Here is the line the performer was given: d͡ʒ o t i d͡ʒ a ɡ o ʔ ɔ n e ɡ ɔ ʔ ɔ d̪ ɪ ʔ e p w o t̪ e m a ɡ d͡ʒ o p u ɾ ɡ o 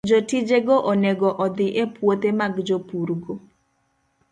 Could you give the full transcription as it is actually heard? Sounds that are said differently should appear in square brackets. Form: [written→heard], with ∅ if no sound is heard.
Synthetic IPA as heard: d͡ʒ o t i d͡ʒ [a→e] ɡ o ʔ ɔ n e ɡ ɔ ʔ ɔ d̪ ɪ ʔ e p w o t̪ e m a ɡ d͡ʒ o p u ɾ ɡ o